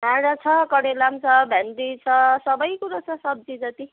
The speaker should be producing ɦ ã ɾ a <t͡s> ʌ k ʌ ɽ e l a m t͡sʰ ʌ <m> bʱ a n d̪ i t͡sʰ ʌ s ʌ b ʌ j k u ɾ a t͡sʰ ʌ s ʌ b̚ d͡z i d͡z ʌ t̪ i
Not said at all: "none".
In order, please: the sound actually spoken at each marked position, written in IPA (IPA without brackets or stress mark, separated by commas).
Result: t͡sʰ, none